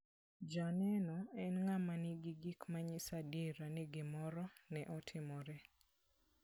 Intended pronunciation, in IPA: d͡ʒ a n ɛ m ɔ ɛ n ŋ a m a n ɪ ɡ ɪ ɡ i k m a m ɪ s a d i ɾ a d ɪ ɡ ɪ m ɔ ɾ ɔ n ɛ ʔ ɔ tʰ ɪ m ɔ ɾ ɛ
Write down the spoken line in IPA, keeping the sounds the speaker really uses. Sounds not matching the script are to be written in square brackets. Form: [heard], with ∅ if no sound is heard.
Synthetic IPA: d͡ʒ a n ɛ [n] ɔ ɛ n ŋ a m a n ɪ ɡ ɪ ɡ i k m a [ɲ] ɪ s a d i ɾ a [n] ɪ ɡ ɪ m ɔ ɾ ɔ n ɛ ʔ ɔ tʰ ɪ m ɔ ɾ ɛ

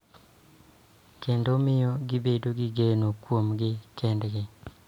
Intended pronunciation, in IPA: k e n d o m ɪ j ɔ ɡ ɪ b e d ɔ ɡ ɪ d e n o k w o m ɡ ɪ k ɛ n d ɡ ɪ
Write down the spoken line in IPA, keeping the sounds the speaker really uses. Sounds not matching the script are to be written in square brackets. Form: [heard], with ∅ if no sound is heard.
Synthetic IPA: k e n d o m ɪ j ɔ ɡ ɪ b e d [o] ɡ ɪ [ɡ] e n o k w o m ɡ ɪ k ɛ n d ɡ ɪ

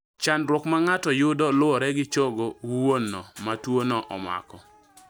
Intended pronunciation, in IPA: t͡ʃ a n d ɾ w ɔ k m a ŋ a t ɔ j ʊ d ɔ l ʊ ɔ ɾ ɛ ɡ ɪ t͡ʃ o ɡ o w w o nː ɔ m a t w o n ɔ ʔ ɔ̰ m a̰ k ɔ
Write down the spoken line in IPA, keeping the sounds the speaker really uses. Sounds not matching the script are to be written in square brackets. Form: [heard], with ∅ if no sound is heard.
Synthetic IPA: t͡ʃ a n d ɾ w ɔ k m a ŋ a t ɔ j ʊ d ɔ l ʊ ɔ ɾ ɛ ɡ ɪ t͡ʃ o ɡ o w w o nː ɔ m a t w o n ɔ ʔ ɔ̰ m a̰ k ɔ

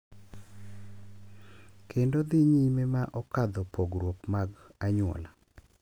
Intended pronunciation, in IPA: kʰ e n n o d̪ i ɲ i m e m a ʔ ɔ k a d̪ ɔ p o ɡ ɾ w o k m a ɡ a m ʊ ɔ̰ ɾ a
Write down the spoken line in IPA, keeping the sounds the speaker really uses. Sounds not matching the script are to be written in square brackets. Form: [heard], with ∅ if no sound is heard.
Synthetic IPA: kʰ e n [d] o d̪ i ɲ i m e m a ʔ ɔ k a d̪ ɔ p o ɡ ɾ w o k m a ɡ a [ɲ] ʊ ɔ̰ [l] a

